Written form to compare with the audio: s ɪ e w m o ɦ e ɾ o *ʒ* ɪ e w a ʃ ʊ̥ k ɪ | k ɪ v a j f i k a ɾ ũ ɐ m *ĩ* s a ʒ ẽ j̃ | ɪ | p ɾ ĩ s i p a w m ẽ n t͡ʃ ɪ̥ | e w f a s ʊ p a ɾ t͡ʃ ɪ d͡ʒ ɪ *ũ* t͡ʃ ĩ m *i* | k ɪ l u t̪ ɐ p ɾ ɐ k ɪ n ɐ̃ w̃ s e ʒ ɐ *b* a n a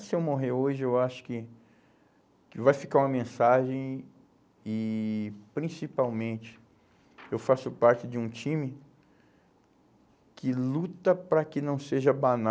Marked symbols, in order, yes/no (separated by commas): yes, no, yes, no, yes